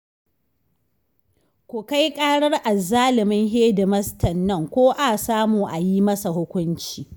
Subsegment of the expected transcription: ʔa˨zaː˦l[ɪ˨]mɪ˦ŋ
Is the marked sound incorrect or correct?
correct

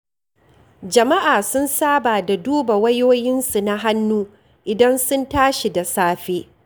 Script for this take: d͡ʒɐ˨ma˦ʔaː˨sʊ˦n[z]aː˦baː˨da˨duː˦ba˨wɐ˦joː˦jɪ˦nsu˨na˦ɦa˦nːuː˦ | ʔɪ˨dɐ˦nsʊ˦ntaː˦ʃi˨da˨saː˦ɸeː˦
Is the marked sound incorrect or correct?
incorrect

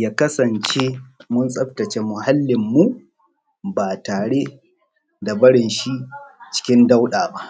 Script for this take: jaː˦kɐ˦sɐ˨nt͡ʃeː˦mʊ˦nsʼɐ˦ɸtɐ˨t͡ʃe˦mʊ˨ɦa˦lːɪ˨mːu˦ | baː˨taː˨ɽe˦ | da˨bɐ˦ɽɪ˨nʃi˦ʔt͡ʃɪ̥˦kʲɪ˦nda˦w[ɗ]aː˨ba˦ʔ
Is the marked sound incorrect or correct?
correct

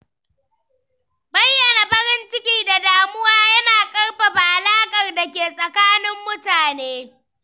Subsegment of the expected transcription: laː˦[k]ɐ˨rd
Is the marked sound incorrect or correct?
incorrect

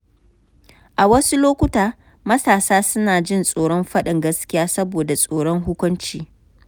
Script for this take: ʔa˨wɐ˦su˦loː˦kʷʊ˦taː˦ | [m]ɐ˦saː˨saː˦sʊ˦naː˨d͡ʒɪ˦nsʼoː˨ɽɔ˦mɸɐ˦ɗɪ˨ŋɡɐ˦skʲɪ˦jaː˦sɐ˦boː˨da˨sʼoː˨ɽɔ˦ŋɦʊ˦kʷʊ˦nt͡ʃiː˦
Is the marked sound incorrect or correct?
correct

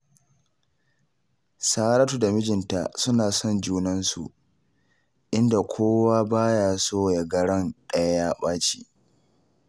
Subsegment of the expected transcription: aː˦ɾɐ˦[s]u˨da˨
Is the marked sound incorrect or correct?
incorrect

